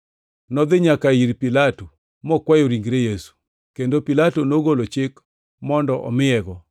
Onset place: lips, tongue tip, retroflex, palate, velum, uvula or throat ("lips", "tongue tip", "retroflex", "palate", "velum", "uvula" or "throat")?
tongue tip